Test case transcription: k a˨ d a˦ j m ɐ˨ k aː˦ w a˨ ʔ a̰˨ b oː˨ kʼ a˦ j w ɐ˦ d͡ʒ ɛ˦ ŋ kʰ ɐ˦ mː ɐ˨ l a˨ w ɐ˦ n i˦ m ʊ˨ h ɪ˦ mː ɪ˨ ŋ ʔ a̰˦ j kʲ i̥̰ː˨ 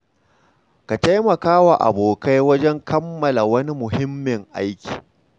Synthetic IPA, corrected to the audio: k a˨ t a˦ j m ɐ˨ k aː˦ w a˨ ʔ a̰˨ b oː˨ k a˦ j w ɐ˦ d͡ʒ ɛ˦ ŋ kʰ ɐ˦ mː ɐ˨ l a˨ w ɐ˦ n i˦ m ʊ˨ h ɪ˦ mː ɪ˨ ŋ ʔ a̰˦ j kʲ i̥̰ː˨